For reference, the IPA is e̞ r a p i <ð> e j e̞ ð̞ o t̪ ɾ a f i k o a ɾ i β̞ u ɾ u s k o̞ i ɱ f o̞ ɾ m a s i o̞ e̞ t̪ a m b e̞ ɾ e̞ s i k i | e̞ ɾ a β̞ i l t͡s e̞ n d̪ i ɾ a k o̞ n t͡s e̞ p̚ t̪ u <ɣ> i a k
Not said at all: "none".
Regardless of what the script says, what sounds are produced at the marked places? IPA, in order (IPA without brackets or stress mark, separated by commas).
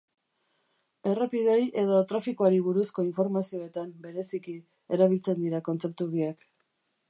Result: ð, ɣ